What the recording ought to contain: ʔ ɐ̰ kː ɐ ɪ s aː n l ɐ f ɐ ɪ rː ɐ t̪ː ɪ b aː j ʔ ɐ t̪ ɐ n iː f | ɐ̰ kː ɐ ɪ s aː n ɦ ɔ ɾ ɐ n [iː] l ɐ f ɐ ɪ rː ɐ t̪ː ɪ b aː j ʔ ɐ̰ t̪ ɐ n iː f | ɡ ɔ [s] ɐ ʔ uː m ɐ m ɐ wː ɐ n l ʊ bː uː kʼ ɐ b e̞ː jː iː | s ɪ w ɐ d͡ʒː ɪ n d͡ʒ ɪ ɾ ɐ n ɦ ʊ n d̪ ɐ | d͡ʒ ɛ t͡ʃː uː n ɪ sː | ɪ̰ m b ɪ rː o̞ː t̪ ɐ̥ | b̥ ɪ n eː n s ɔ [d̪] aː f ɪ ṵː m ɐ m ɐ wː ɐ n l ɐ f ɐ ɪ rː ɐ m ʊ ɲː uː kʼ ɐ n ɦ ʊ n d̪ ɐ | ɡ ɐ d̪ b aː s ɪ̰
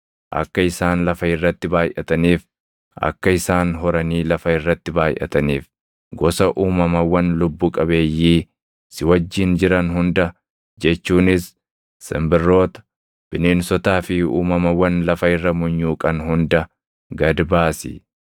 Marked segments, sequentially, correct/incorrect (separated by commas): correct, correct, incorrect